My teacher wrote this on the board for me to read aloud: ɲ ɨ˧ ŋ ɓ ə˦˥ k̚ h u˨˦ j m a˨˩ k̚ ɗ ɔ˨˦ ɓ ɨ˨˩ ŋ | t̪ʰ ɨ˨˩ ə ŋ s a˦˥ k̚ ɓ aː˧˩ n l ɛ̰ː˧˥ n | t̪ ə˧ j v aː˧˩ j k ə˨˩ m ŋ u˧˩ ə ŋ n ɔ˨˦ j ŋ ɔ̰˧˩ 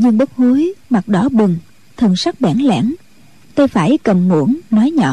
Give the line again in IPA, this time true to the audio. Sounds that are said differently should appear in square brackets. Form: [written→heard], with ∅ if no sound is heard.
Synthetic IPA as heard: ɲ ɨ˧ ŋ ɓ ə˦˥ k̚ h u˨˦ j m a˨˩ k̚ ɗ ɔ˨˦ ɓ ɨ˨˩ ŋ | t̪ʰ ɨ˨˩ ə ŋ s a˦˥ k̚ ɓ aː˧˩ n l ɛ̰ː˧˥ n | t̪ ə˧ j [v→f] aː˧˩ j k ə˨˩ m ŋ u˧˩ ə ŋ n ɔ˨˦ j [ŋ→ɲ] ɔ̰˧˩